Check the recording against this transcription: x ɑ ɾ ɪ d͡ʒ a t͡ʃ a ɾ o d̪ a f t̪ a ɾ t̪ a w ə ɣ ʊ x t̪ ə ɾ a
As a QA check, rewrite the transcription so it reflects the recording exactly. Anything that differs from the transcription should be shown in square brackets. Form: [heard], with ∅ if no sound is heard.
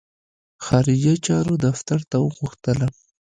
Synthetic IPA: x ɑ ɾ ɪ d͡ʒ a t͡ʃ [ɑ] ɾ o d̪ a f t̪ a ɾ t̪ a w ə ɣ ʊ x t̪ ə [l] a